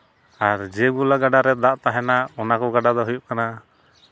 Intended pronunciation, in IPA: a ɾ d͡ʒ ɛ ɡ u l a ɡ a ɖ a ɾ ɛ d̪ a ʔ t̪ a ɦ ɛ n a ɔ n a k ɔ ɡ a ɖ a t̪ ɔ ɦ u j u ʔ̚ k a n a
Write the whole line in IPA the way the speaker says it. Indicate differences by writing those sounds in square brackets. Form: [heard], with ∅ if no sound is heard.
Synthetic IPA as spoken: a ɾ d͡ʒ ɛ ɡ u l a ɡ a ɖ a ɾ ɛ d̪ a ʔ t̪ a ɦ ɛ n a ɔ n a k ɔ ɡ a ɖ a [d̪] ɔ ɦ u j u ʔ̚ k a n a